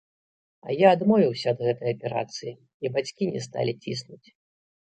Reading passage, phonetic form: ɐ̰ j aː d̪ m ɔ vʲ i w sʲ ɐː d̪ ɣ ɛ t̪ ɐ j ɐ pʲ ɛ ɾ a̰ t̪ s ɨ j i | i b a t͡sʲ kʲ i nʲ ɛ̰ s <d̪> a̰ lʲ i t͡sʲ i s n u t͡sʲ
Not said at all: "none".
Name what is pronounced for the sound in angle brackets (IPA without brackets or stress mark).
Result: t̪